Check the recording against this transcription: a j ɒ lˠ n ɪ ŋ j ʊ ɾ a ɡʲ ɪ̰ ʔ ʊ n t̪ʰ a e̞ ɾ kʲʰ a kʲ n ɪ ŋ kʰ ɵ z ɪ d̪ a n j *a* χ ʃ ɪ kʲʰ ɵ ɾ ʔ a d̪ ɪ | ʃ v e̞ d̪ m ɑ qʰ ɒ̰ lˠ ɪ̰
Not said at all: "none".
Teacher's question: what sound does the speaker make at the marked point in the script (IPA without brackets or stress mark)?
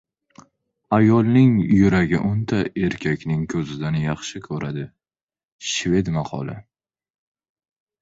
ɑ